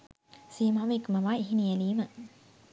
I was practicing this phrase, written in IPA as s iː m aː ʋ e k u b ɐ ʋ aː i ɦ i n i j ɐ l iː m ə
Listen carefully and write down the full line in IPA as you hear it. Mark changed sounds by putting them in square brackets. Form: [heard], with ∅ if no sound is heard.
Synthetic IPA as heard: s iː m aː ʋ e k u [m] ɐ ʋ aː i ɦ i n i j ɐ l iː m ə